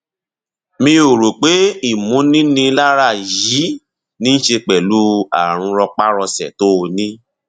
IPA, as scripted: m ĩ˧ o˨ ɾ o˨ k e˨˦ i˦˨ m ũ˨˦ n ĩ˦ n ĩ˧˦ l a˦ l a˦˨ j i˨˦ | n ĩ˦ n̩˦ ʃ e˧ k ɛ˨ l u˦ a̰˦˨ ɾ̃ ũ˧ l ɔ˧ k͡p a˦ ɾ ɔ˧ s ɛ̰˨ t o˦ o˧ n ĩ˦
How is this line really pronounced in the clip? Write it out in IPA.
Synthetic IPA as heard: m ĩ˧ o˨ ɾ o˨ k͡p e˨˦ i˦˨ m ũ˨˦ n ĩ˦ n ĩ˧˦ l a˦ ɾ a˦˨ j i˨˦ | n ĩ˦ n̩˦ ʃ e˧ k͡p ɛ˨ l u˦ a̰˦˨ ɾ̃ ũ˧ ɾ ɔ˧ k͡p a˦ ɾ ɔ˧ s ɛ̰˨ t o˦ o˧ n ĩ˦